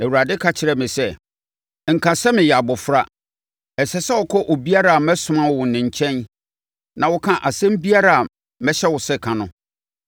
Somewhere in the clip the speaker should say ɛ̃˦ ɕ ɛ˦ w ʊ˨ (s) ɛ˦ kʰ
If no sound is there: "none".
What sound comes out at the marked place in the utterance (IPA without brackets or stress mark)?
s